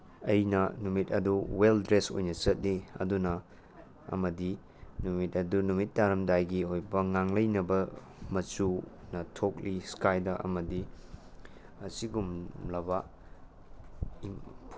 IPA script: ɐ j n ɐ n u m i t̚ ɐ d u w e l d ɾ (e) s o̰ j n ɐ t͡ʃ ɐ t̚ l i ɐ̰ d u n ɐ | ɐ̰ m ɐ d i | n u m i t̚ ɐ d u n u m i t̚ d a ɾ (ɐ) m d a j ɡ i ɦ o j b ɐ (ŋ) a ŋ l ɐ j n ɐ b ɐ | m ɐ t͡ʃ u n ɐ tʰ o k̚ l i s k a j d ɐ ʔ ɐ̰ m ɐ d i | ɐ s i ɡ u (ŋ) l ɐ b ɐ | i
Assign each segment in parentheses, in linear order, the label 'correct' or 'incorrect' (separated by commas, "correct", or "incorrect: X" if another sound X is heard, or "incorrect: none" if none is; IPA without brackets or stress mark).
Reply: correct, correct, correct, incorrect: m